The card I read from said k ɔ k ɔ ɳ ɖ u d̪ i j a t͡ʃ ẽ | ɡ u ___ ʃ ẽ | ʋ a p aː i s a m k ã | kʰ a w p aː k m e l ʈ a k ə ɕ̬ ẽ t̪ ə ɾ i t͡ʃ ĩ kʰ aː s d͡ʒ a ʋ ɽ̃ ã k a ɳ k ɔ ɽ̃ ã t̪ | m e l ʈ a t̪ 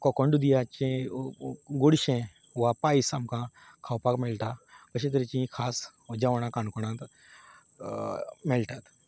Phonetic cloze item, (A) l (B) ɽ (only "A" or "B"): B